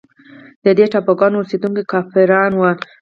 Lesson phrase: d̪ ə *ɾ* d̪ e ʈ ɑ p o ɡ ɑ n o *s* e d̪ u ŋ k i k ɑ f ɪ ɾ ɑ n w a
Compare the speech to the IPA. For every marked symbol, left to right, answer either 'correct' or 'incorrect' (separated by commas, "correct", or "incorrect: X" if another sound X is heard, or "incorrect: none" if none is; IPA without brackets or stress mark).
incorrect: none, correct